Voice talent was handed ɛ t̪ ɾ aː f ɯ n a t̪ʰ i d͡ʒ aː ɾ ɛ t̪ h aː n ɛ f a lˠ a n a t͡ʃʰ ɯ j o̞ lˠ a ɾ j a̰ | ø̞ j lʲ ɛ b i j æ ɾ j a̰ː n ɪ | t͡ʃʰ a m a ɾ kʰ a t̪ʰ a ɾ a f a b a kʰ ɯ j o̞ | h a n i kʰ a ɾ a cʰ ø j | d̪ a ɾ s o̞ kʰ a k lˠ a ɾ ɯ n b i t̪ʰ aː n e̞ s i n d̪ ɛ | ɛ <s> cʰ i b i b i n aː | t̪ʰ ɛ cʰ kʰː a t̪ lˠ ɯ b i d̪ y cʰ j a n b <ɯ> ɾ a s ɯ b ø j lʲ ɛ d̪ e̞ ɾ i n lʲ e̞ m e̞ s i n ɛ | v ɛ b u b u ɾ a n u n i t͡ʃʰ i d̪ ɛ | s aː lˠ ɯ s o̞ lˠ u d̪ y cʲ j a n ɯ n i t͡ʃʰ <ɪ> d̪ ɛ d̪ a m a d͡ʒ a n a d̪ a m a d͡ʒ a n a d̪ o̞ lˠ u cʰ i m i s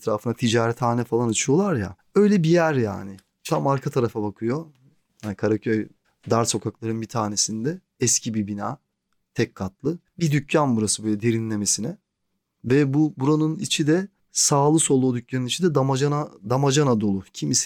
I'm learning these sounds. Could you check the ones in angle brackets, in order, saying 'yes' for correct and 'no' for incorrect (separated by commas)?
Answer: yes, no, no